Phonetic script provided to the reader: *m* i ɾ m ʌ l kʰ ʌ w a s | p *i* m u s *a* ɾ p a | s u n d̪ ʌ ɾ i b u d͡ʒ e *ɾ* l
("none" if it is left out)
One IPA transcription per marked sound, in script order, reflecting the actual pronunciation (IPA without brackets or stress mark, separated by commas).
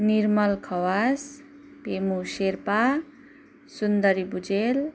n, e, e, none